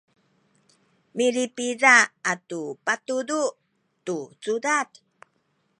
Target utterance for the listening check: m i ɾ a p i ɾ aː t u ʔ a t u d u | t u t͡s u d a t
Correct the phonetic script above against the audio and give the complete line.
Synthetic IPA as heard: m i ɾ i p i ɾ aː t u p a t u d u | t u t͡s u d a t

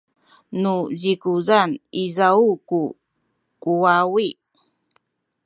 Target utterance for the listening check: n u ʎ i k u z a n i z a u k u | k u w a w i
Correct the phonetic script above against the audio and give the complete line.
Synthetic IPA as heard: n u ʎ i k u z a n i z a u k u | k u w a w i

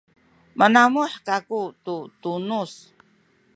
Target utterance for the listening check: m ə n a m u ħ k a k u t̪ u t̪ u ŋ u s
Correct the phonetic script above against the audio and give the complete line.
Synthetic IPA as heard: m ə n a m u ħ k a k u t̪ u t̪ u n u s

